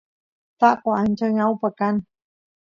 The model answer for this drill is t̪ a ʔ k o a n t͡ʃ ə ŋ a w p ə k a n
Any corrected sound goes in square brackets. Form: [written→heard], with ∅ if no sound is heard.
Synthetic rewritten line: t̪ a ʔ k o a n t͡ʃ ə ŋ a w p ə k a n